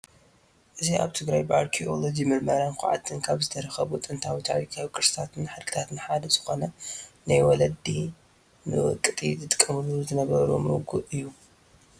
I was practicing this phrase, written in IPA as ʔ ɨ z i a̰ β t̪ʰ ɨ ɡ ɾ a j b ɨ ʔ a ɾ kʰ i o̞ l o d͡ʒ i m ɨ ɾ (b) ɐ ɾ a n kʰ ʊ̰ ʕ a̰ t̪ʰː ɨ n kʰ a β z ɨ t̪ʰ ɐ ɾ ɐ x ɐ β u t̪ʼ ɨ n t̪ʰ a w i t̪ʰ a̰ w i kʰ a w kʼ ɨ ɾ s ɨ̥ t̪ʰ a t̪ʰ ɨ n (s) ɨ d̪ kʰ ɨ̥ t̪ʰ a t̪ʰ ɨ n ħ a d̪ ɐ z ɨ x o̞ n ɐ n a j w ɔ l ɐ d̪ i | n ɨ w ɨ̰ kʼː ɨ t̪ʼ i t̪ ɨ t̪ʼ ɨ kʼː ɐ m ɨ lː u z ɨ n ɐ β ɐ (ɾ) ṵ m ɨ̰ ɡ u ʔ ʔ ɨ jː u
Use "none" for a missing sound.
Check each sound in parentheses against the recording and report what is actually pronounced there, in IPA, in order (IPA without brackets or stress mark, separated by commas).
m, ħ, ɾ